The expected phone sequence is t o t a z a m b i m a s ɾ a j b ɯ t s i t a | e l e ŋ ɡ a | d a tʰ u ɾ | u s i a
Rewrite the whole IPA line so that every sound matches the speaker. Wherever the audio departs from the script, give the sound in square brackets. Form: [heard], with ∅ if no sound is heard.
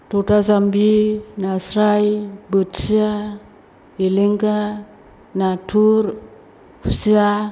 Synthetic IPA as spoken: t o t a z a m b i [n] a s ɾ a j b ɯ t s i [∅] a | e l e ŋ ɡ a | [n] a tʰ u ɾ | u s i a